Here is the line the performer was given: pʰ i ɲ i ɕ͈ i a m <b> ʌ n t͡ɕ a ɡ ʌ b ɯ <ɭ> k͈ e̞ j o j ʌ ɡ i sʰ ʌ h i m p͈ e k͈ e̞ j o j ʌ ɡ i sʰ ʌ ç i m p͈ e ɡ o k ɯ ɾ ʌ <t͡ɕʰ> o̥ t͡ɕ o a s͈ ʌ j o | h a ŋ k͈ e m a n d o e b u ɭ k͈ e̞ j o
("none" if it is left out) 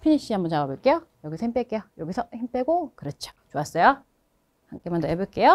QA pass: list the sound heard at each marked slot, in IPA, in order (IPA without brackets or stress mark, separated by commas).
b, ɭ, t͡ɕʰ